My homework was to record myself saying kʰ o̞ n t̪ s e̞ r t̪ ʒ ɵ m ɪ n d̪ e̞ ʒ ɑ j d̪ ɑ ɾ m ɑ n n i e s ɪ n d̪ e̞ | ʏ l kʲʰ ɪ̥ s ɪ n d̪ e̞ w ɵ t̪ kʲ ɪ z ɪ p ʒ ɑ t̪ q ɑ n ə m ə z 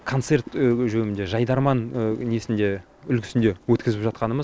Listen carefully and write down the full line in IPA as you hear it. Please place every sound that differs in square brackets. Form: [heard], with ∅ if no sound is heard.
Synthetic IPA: kʰ o̞ n t̪ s e̞ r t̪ ʒ ɵ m ɪ n d̪ e̞ ʒ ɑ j d̪ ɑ ɾ m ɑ n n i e s ɪ n d̪ e̞ | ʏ l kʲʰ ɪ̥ s ɪ n d̪ e̞ w ɵ t̪ kʲ ɪ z ɪ p ʒ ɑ t̪ q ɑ n ə m ə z